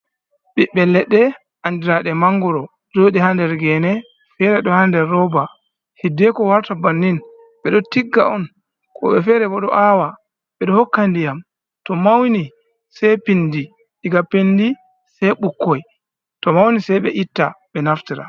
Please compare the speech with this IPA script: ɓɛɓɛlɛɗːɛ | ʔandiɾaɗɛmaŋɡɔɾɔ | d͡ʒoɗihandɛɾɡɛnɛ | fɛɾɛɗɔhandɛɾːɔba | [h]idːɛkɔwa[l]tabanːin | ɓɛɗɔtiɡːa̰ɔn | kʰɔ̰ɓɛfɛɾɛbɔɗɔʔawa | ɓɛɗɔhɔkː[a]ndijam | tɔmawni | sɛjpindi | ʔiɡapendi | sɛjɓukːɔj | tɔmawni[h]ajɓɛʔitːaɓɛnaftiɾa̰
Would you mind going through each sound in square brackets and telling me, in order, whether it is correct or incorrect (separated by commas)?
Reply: correct, incorrect, correct, incorrect